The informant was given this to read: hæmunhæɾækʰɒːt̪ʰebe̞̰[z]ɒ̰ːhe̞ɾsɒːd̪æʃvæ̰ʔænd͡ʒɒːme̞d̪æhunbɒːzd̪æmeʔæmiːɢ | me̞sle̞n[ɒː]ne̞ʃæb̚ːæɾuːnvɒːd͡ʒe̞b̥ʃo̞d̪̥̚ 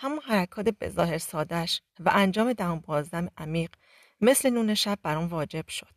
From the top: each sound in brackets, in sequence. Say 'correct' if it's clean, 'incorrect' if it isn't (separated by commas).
correct, incorrect